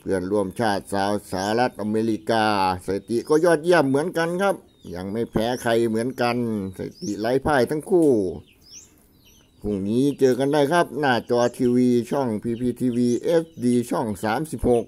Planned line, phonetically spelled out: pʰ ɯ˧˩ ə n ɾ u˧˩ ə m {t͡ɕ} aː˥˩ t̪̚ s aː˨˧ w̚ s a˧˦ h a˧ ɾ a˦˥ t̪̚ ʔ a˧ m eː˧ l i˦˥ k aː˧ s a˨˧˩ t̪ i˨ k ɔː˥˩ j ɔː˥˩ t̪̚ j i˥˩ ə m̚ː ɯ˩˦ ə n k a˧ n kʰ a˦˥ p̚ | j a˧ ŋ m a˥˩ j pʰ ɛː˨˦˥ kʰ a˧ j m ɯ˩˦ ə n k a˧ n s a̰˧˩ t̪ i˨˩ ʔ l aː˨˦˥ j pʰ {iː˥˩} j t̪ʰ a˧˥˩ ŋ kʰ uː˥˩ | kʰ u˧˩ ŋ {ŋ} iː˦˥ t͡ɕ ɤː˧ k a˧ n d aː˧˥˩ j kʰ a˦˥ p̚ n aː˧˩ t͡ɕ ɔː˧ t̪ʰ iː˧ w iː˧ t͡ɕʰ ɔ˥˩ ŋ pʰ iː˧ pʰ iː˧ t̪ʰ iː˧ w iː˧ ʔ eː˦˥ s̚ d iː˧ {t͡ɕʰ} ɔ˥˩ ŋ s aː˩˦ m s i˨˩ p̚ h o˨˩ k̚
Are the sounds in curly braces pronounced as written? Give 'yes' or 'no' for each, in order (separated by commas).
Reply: no, no, no, yes